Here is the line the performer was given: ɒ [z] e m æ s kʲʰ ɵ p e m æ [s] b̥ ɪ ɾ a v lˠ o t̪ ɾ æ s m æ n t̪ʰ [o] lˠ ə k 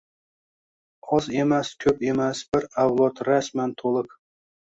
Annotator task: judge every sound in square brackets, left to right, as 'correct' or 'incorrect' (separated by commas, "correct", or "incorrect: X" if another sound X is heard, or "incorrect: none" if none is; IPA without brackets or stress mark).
correct, correct, correct